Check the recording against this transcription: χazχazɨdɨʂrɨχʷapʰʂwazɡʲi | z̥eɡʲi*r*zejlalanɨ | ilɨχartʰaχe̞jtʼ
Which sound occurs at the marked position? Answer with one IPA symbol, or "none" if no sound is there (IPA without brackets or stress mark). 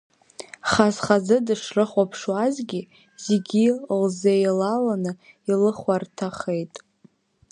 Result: l